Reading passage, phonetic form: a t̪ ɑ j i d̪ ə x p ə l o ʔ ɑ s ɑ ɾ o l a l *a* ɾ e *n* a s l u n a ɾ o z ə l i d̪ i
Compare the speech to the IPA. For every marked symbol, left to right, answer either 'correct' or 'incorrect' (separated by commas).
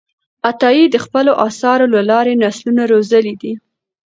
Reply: incorrect, correct